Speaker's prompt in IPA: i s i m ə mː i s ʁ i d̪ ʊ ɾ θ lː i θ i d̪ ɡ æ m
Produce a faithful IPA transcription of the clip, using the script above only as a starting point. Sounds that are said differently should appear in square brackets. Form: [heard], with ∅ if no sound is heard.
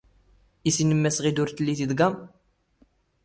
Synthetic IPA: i s i [n] ə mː [æ] s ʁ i d̪ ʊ ɾ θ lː i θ i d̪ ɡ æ m